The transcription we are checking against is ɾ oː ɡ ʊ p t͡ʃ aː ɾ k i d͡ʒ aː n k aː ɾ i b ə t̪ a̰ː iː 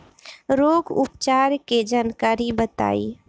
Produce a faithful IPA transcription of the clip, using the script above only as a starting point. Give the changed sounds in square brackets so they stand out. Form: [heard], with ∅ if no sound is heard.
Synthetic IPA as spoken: ɾ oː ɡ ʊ p t͡ʃ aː ɾ k [e] d͡ʒ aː n k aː ɾ i b ə t̪ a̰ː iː

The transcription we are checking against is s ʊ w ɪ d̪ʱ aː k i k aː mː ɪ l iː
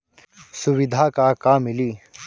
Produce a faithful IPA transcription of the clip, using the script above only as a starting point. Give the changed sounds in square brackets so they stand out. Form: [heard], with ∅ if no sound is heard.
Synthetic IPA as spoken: s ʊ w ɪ d̪ʱ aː k [a] k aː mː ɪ l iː

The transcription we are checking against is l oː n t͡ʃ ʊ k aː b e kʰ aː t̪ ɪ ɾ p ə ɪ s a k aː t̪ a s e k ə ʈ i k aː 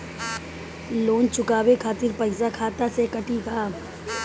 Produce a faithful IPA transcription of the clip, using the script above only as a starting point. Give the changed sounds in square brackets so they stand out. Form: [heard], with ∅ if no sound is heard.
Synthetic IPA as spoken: l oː n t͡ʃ ʊ k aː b e kʰ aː t̪ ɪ ɾ p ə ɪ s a [kʰ] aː t̪ a s e k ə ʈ i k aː

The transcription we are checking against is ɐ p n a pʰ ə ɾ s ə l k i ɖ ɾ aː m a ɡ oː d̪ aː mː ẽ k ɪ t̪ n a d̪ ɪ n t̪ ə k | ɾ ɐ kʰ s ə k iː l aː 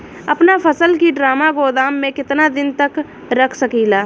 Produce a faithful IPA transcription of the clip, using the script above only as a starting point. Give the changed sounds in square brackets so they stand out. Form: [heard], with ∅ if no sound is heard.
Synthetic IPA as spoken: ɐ p n a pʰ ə [∅] s ə l k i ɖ ɾ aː m a ɡ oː d̪ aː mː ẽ k ɪ t̪ n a d̪ ɪ n t̪ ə k | ɾ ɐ kʰ s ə k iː l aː

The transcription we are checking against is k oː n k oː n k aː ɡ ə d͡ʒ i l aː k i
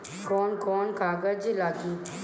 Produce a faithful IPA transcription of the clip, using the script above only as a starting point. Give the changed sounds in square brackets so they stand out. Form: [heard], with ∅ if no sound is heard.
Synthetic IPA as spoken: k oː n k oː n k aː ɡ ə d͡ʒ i l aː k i

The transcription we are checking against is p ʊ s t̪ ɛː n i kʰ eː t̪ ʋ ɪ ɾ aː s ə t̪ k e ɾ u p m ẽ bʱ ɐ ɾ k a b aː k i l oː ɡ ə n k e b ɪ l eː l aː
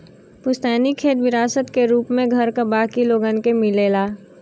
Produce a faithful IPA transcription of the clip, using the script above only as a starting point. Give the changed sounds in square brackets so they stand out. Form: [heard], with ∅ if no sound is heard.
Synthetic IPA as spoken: p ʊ s t̪ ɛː n i kʰ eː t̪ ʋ ɪ ɾ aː s ə t̪ k e ɾ [uː] p m ẽ [ɡʱ] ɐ ɾ k a b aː k i l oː ɡ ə n k e [m] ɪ l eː l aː

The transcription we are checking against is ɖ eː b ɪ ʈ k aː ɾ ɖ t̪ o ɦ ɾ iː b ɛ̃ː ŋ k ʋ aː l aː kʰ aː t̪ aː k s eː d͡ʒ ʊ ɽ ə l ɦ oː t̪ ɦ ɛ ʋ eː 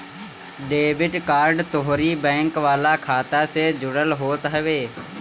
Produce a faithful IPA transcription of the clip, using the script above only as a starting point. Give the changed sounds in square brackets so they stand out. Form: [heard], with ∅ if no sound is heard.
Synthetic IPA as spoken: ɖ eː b ɪ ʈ k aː ɾ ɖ t̪ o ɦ ɾ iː b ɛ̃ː ŋ k ʋ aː l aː kʰ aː t̪ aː [∅] s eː d͡ʒ ʊ ɽ ə l ɦ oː t̪ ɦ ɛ ʋ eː

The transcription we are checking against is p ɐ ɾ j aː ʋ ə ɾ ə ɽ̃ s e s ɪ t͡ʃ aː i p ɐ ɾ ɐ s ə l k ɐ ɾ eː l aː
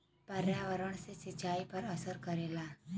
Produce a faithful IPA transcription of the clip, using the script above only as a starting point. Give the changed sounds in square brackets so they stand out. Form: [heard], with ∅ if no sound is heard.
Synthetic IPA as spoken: p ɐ ɾ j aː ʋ ə ɾ ə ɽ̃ s e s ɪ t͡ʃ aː i p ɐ ɾ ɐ s ə [ɾ] k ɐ ɾ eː l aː

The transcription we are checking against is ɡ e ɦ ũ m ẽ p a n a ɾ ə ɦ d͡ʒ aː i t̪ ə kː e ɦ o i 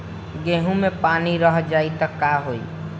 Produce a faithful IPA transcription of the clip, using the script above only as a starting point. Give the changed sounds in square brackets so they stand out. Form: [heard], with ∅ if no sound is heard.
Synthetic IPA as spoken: ɡ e ɦ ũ m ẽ p a n [i] ɾ ə ɦ d͡ʒ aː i t̪ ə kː [a] ɦ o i

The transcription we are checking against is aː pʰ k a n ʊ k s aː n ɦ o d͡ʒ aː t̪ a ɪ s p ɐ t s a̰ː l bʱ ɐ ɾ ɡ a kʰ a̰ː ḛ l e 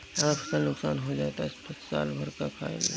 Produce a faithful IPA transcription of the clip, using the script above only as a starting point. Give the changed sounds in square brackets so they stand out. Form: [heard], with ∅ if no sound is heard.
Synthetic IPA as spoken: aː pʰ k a n ʊ k s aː n ɦ o d͡ʒ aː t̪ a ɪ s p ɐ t s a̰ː l bʱ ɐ ɾ [k] a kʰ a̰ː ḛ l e

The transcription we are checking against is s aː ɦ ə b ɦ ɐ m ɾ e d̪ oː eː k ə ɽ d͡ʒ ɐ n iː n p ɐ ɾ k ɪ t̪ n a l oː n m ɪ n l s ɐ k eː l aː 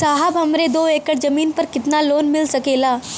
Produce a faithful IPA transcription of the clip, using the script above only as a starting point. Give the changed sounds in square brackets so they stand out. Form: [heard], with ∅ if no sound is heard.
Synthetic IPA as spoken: s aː ɦ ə b ɦ ɐ m ɾ e d̪ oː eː k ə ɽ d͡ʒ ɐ [m] iː n p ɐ ɾ k ɪ t̪ n a l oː n m ɪ [∅] l s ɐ k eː l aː

